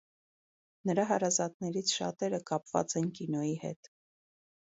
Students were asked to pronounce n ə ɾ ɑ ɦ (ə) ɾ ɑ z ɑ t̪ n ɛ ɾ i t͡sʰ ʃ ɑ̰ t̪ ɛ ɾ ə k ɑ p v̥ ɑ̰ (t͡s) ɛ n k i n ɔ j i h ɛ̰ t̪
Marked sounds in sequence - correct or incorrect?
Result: incorrect: ɑ, correct

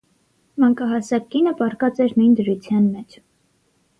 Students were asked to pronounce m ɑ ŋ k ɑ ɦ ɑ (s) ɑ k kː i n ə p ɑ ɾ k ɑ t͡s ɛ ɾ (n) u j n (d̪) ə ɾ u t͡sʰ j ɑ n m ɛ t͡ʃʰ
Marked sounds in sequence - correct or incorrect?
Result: correct, correct, correct

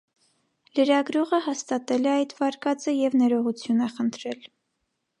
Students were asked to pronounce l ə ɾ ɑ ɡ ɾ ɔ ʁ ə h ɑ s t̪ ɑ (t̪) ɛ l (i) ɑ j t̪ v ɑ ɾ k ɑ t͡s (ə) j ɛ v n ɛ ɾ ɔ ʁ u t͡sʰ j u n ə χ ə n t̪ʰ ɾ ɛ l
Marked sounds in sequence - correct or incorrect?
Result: correct, incorrect: ɛ, correct

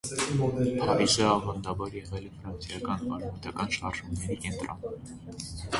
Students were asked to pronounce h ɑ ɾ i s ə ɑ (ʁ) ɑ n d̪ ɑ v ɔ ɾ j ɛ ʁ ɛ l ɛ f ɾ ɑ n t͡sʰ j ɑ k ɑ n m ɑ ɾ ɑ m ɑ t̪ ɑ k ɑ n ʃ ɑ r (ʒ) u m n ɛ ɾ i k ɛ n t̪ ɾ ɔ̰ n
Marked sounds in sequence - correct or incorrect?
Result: incorrect: v, correct

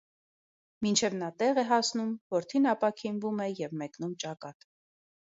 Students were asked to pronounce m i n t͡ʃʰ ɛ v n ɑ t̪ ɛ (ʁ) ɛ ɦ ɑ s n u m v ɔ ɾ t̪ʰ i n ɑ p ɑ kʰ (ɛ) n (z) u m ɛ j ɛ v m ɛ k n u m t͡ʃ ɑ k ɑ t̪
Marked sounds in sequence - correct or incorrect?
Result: correct, incorrect: i, incorrect: v

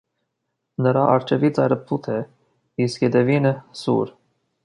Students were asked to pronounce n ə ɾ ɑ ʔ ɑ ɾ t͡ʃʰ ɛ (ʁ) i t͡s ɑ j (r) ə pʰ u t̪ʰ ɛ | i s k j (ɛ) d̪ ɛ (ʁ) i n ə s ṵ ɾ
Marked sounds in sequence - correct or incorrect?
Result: incorrect: v, incorrect: ɾ, correct, incorrect: v

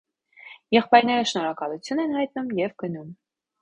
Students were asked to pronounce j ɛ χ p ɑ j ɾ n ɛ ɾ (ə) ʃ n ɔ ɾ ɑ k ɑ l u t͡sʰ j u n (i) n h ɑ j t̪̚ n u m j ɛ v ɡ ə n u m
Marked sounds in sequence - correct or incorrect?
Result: correct, incorrect: ɛ

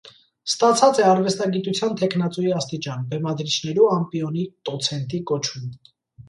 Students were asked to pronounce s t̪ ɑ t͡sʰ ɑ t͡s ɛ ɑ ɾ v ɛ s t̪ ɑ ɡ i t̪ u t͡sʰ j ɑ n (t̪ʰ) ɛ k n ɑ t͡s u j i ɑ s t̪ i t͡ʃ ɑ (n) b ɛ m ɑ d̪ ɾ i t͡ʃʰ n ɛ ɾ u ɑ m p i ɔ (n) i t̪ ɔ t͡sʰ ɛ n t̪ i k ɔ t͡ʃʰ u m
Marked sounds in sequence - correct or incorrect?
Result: correct, correct, correct

